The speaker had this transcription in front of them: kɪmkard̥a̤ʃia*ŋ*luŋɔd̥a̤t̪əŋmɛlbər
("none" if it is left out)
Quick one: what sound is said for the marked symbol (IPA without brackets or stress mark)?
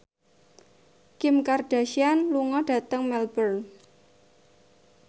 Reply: n